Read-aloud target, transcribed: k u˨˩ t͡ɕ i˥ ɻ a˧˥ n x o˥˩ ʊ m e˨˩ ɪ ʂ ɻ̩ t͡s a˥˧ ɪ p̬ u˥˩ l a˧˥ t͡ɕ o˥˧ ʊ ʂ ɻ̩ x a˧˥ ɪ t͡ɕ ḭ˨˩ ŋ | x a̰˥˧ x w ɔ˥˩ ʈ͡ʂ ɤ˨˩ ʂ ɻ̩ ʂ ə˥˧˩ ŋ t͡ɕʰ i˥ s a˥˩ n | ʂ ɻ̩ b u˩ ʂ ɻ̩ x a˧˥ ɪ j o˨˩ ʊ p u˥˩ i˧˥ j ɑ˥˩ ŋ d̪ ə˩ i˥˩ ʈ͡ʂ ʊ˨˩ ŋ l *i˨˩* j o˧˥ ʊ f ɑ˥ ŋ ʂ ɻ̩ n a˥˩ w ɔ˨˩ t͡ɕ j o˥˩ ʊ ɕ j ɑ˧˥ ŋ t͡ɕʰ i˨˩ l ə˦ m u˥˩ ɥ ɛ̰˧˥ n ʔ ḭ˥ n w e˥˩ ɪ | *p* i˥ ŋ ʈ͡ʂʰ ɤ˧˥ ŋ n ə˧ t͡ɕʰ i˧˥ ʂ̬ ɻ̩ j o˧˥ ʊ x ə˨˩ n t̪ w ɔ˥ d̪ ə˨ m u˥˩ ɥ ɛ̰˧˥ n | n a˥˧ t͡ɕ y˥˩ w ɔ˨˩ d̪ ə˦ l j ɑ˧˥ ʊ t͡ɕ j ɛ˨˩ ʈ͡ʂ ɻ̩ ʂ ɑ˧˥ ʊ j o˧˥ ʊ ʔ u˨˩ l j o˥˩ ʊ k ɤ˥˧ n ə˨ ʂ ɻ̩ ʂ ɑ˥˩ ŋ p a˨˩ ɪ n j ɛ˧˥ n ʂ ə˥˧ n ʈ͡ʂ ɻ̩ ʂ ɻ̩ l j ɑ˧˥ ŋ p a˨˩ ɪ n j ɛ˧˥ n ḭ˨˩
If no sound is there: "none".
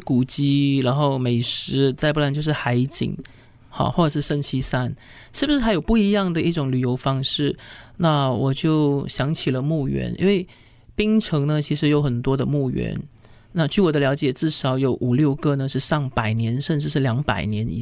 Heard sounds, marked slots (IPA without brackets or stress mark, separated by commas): y˨˩, p